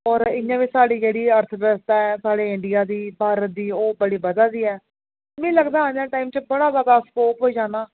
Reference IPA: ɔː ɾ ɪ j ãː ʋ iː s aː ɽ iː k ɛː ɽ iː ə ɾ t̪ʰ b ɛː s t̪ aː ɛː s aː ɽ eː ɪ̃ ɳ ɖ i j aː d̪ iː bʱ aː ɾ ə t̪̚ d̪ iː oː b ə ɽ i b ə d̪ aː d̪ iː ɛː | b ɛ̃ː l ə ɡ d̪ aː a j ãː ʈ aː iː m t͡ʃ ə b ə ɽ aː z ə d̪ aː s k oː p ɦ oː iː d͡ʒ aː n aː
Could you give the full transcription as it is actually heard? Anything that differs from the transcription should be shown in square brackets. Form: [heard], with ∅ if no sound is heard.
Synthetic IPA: ɔː ɾ ɪ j ãː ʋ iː s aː ɽ iː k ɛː ɽ iː ə ɾ t̪ʰ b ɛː s t̪ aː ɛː s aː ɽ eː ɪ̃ ɳ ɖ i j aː d̪ iː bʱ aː ɾ ə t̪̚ d̪ iː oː b ə ɽ [iː] b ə d̪ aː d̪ iː ɛː | [m] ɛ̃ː l ə ɡ d̪ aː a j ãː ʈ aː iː m t͡ʃ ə b ə ɽ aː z ə d̪ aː s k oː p ɦ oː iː d͡ʒ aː n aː